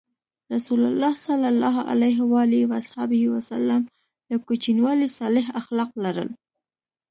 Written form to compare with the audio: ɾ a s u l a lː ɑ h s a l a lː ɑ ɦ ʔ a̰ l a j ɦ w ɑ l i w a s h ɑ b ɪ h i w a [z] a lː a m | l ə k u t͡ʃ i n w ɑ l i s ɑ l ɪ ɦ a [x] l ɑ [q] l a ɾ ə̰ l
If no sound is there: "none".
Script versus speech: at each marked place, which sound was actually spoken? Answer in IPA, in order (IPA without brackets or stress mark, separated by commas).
s, x, q